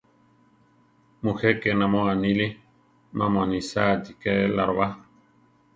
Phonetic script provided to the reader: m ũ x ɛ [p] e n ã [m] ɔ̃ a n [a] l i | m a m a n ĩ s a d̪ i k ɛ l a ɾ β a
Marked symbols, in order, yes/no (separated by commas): no, yes, no